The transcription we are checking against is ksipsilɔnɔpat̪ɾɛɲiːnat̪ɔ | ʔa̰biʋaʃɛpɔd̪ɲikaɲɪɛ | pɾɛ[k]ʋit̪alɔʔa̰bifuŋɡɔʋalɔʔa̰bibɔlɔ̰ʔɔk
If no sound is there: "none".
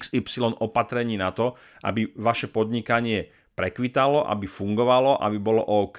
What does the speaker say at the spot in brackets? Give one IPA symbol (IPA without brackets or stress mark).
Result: k